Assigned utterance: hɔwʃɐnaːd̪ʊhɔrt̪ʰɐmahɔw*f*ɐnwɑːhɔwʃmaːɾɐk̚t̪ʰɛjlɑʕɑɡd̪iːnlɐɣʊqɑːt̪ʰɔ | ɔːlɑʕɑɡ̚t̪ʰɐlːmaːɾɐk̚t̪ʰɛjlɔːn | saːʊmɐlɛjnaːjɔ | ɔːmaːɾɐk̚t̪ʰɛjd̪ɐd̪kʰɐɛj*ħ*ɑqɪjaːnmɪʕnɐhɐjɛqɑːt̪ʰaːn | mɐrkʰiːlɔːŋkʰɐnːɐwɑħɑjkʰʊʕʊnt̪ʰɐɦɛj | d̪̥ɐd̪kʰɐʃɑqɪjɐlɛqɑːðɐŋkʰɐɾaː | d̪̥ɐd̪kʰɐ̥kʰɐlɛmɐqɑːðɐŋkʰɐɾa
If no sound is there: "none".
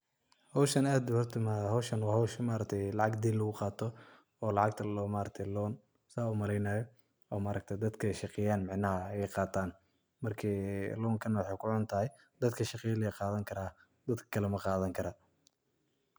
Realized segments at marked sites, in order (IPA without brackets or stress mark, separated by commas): ʃ, ʃ